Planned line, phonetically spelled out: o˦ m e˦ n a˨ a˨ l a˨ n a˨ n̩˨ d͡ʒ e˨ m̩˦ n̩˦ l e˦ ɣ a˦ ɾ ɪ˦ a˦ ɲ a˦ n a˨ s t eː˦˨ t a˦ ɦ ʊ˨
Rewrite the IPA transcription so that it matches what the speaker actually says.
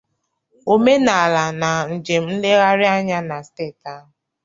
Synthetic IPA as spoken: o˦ m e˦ n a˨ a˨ l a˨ n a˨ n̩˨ d͡ʒ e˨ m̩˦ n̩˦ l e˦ ɣ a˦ ɾ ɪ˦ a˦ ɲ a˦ n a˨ s t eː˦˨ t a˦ ɦ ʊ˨